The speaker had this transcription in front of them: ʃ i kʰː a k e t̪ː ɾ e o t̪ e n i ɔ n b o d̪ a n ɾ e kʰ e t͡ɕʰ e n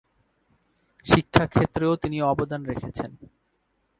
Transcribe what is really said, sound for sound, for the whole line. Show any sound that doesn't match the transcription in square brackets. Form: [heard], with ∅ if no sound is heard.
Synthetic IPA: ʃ i kʰː a [kʰ] e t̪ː ɾ e o t̪ [i] n i ɔ [∅] b o d̪ a n ɾ e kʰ e t͡ɕʰ e n